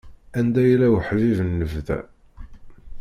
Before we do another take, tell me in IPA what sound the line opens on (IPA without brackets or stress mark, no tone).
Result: æ